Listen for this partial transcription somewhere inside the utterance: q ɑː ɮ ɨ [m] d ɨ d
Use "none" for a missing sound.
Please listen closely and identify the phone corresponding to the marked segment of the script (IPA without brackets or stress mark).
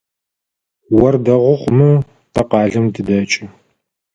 m